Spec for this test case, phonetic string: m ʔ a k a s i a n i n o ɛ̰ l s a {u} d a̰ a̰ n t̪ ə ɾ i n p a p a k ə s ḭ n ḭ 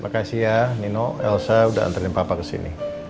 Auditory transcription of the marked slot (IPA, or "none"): u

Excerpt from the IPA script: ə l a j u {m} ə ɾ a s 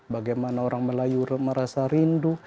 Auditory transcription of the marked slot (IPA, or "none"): m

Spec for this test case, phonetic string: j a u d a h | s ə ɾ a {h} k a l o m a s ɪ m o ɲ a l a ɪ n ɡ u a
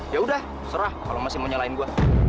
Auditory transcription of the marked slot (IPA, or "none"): h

